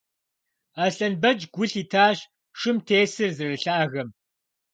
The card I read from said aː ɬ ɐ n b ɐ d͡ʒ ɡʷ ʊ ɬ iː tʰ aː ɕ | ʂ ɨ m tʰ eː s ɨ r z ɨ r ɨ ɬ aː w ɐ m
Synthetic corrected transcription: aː ɬ ɐ n b ɐ d͡ʒ ɡʷ ʊ ɬ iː tʰ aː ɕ | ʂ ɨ m tʰ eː s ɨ r z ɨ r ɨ ɬ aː ɣ ɐ m